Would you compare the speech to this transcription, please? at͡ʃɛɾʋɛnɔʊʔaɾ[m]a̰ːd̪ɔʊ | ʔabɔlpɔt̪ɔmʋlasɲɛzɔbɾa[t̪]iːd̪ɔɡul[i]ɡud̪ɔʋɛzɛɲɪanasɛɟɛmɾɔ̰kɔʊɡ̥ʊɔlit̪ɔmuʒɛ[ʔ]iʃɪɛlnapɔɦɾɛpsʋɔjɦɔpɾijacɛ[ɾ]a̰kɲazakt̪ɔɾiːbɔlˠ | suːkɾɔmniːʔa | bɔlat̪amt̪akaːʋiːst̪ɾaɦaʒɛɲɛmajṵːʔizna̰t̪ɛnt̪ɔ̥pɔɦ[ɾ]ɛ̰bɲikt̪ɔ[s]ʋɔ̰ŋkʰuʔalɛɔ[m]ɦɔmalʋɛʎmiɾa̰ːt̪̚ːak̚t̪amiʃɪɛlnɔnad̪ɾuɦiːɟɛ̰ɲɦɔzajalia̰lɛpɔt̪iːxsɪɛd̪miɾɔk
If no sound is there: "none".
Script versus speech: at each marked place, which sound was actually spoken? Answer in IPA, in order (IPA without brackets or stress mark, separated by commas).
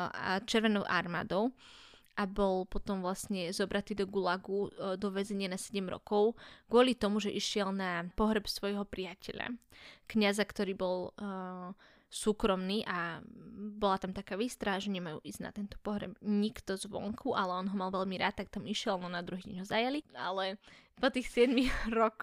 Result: m, t̪, a, ʔ, ʎ, ɾ, z, n